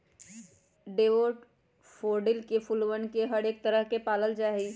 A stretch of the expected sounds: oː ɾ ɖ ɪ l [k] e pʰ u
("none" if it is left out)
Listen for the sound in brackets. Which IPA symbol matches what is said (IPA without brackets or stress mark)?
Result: k